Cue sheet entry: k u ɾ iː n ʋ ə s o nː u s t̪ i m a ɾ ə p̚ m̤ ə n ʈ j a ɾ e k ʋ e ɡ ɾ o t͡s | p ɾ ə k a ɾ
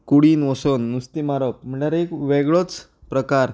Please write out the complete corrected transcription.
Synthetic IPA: k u ɽ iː n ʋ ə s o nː u s t̪ i m a ɾ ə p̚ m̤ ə ɳ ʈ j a ɾ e k ʋ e ɡ ɭ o t͡s | p ɾ ə k a ɾ